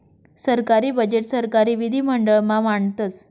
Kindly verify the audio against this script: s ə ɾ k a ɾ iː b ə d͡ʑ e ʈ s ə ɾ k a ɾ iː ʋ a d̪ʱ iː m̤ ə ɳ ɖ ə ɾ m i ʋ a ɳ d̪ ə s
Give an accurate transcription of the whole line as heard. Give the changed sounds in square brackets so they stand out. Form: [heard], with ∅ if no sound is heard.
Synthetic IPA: s ə ɾ k a ɾ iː b ə d͡ʑ e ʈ s ə ɾ k a ɾ iː ʋ [i] d̪ʱ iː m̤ ə ɳ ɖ ə [ɭ] m [a] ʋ a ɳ [t̪] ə [t͡s]